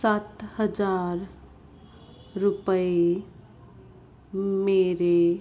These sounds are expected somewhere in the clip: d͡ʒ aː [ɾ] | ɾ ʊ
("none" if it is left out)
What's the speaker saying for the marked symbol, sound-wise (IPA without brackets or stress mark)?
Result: ɾ